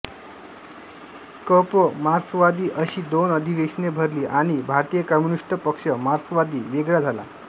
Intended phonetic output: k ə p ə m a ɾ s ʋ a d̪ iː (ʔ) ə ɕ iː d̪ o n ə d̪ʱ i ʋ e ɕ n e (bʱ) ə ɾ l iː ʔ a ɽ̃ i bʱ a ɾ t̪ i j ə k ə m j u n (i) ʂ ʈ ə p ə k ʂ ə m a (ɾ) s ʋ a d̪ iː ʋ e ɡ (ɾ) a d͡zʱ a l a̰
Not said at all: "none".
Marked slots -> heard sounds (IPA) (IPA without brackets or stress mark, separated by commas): ʔ, bʱ, i, ɾ, ɭ